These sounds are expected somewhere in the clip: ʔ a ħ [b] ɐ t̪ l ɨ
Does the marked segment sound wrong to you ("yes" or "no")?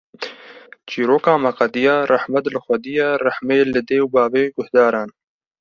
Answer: yes